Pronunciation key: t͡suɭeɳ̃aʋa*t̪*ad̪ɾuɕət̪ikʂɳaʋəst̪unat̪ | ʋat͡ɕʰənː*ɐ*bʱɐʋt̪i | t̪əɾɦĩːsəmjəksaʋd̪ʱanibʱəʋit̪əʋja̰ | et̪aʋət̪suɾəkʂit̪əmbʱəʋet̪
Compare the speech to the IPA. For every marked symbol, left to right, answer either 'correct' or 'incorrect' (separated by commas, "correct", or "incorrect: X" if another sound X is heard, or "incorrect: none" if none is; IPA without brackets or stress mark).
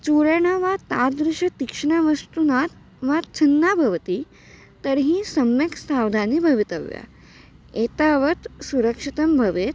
correct, incorrect: a